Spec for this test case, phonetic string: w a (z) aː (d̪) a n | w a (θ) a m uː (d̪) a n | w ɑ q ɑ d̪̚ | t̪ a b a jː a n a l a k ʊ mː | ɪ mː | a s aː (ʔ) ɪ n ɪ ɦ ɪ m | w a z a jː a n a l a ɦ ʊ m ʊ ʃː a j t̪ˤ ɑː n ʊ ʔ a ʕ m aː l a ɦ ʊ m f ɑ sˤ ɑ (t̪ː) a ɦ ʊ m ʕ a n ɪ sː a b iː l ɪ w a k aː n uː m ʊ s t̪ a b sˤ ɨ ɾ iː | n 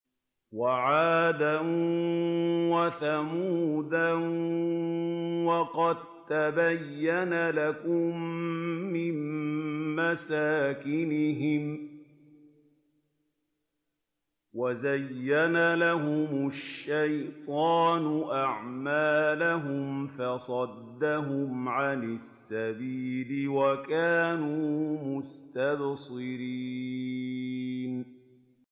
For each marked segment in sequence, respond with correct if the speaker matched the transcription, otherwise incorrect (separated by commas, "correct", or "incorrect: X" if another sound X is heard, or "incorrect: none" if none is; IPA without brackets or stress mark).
incorrect: ʕ, correct, correct, correct, incorrect: k, incorrect: d̪ː